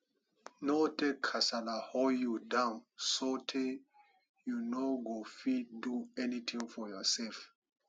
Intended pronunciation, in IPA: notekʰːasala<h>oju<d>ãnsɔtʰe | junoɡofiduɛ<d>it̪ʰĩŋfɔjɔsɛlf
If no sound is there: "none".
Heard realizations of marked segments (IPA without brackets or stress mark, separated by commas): h, d, n